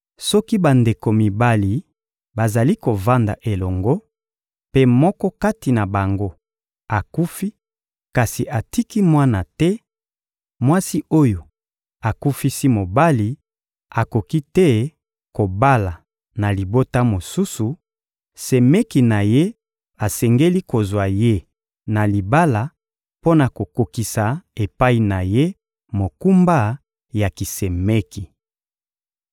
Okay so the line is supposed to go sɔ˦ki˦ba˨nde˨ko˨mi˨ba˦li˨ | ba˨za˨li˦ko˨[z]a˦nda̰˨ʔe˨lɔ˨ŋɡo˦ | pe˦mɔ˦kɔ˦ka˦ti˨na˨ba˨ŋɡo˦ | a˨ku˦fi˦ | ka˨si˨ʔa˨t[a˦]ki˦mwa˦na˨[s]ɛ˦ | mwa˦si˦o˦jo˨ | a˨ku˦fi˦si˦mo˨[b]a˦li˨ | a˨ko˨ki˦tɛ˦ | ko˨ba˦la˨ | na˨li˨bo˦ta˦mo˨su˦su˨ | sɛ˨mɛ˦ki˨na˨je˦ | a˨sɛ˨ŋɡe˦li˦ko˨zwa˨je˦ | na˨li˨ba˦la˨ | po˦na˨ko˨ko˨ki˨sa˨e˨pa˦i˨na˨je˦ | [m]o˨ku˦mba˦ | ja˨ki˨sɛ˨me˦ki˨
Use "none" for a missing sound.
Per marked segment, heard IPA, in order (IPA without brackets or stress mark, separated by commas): v, i˦, t, b, m